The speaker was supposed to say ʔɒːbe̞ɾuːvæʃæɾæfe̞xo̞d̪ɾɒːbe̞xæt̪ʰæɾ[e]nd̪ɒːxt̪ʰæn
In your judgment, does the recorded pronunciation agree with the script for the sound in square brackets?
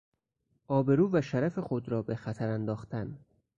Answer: no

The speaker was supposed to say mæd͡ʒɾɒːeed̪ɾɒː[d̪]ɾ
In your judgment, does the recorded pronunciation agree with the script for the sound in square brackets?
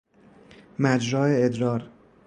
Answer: no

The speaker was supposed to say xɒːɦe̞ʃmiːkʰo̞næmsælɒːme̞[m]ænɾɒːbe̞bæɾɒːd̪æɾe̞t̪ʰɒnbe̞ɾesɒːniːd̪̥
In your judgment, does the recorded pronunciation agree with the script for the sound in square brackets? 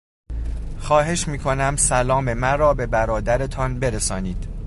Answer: yes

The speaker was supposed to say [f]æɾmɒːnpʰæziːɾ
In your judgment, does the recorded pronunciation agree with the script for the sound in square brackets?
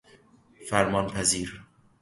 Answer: yes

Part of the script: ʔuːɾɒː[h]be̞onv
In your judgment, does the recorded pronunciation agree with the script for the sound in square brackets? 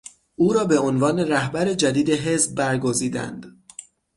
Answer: no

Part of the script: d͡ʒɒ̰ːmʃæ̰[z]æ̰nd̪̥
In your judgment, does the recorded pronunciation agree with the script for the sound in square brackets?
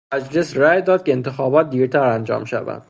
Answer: no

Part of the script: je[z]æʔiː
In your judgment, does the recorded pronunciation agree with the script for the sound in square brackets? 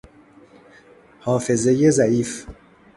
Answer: yes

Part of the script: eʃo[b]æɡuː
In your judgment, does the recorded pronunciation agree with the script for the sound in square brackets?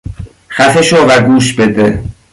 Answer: no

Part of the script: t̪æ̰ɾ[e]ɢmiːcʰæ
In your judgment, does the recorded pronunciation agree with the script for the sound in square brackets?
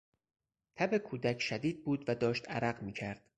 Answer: no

